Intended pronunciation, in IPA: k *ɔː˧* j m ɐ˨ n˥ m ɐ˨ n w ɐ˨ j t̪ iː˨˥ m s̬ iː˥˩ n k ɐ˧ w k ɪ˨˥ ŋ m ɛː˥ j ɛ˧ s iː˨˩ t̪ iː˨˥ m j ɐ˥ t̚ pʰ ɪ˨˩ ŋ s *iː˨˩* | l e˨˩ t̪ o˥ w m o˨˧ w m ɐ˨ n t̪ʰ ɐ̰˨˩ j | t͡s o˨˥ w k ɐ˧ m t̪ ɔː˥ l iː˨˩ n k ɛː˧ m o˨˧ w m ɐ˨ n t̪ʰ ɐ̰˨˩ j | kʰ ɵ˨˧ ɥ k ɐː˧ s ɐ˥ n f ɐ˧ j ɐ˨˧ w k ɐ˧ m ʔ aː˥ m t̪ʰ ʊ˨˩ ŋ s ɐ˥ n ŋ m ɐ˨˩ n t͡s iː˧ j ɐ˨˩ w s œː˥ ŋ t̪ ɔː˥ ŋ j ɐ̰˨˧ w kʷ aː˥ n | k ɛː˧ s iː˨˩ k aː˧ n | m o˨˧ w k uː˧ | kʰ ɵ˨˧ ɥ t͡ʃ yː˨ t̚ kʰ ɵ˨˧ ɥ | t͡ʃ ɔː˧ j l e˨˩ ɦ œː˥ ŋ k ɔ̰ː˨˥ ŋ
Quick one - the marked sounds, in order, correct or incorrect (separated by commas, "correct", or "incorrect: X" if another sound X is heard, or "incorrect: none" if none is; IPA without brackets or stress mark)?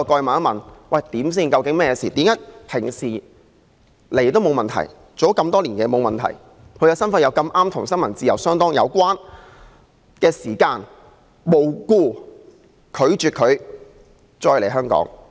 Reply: correct, correct